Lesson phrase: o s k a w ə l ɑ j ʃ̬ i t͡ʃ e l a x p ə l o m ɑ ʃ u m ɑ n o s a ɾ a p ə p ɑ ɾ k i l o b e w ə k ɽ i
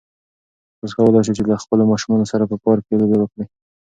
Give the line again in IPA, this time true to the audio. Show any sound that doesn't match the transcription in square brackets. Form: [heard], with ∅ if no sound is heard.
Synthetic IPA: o s k a w ə l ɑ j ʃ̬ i t͡ʃ e l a x p ə l o m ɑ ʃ u m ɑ n o s a ɾ a p ə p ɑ ɾ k [e] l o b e w ə k ɽ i